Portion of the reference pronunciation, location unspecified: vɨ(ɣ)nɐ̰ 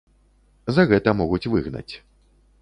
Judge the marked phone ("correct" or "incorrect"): correct